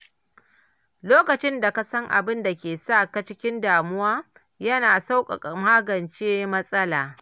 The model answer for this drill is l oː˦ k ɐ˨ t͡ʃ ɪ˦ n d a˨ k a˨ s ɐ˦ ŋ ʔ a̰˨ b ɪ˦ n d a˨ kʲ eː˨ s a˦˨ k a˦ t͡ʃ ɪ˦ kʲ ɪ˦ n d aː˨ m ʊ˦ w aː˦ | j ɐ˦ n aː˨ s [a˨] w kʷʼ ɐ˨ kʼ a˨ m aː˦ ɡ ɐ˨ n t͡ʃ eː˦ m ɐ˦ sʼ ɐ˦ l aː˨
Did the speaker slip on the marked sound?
yes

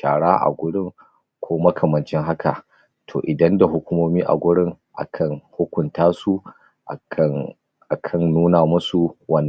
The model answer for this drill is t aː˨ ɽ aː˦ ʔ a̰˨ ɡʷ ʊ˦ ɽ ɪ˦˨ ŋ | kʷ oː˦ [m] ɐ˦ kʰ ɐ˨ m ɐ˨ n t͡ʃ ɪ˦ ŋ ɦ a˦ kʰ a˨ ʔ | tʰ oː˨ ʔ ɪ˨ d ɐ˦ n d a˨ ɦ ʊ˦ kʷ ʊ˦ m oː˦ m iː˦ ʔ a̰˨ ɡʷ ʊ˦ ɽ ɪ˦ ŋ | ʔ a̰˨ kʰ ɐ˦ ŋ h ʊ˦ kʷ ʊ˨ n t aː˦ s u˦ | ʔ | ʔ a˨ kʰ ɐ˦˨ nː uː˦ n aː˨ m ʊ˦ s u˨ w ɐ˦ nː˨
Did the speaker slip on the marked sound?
no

